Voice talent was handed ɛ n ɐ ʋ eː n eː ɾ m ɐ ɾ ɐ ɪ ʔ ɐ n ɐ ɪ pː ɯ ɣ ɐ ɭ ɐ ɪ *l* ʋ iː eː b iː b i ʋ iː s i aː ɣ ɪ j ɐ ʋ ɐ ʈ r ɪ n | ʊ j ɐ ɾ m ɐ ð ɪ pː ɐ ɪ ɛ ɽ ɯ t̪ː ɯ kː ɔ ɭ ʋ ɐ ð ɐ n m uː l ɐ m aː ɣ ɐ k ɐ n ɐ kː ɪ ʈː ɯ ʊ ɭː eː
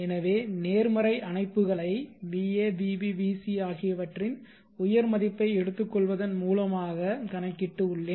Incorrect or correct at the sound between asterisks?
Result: incorrect: none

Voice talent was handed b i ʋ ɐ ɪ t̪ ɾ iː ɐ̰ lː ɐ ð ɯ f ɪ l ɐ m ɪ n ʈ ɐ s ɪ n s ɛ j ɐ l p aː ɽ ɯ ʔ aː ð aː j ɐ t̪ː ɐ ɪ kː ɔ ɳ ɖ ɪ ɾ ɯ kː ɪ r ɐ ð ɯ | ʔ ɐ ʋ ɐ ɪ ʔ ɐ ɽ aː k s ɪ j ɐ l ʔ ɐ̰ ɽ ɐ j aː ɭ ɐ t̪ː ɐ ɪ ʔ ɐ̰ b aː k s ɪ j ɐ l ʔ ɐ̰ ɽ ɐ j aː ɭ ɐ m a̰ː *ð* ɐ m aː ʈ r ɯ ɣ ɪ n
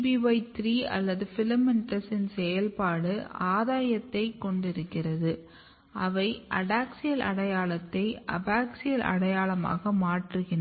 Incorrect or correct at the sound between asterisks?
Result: incorrect: ɣ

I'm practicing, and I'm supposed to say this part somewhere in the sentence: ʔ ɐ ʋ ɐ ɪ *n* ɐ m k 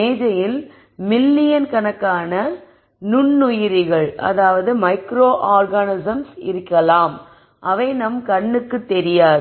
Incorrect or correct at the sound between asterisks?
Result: correct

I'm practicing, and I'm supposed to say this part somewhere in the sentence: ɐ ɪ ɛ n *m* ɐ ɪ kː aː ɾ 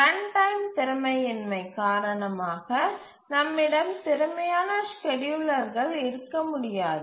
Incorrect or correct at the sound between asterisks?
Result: correct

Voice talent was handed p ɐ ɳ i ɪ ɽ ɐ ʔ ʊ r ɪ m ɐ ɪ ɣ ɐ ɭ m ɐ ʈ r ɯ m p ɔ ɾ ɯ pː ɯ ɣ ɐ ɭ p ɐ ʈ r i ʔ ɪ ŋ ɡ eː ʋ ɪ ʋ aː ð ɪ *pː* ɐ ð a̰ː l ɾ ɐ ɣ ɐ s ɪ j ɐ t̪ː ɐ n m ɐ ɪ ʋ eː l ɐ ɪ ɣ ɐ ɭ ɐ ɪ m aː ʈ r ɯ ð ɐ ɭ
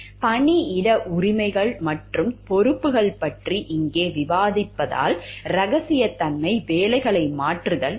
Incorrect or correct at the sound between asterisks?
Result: correct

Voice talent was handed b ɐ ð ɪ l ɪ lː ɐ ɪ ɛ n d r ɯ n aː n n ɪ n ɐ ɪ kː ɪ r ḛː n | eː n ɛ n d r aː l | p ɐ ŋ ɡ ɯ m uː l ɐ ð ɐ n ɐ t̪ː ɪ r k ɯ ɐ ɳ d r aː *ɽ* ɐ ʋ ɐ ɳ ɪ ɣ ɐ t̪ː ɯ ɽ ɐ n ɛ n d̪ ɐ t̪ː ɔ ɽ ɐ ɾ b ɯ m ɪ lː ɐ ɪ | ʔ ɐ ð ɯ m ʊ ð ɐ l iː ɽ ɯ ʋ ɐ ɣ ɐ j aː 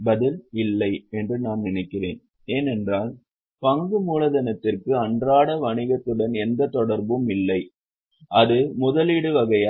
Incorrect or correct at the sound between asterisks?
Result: correct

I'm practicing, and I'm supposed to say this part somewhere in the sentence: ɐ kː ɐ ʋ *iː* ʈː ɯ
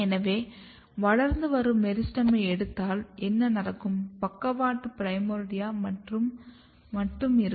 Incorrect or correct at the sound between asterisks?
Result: incorrect: aː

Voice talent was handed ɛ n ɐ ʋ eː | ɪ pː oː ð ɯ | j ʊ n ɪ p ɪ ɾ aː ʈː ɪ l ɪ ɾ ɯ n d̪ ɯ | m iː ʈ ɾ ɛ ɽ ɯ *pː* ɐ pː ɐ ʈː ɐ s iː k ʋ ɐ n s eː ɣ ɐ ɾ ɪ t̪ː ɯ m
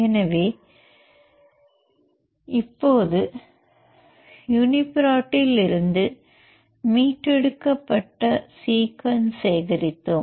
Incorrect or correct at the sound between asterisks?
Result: incorrect: kː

